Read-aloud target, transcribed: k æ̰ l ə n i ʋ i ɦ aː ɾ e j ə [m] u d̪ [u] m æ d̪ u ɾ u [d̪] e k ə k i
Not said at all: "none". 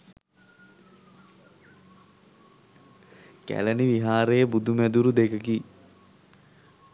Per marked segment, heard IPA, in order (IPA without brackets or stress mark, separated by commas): b, u, d̪